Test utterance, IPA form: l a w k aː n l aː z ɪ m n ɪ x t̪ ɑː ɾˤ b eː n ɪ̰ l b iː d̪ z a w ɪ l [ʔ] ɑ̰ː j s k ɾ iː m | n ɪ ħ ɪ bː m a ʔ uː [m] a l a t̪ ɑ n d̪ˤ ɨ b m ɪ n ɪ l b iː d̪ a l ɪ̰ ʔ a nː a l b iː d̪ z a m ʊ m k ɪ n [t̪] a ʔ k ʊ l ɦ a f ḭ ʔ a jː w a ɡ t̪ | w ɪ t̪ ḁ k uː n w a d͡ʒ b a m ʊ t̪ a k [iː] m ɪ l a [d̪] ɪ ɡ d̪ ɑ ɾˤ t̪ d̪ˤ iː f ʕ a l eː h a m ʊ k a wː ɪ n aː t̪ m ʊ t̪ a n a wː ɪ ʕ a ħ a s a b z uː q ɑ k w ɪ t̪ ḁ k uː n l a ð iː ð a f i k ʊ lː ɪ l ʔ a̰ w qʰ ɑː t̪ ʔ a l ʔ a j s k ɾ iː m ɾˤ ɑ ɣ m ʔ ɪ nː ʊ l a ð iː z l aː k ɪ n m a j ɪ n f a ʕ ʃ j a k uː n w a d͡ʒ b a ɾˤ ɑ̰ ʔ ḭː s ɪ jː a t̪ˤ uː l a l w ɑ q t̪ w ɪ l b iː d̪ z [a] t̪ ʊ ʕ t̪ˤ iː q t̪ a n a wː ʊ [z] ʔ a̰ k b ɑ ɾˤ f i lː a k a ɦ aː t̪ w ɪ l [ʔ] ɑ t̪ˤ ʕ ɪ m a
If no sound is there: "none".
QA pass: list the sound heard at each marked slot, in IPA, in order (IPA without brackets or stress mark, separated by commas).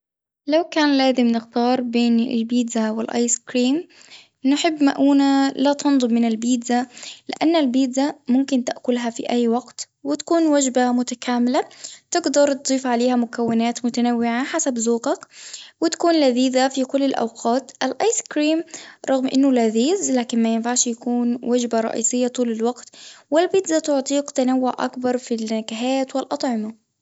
ʔ, n, t̪, aː, t̪, a, ʕ, ʔ